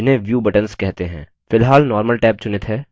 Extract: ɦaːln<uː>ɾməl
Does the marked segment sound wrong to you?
yes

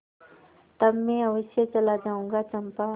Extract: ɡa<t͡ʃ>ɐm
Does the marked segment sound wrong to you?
no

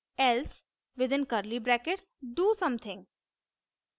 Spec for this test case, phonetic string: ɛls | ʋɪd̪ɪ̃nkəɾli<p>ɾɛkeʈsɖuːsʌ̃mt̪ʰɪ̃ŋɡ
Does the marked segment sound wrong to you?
yes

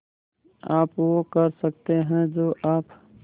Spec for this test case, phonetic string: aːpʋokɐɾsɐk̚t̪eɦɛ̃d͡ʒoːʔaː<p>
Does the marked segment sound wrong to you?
no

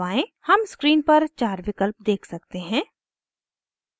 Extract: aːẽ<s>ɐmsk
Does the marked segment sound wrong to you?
yes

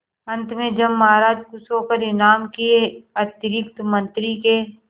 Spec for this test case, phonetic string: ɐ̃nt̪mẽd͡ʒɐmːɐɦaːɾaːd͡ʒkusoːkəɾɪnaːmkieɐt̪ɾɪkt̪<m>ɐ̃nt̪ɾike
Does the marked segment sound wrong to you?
no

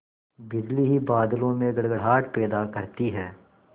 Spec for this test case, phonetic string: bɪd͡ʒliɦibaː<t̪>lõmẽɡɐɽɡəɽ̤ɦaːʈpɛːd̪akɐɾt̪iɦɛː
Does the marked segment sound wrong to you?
yes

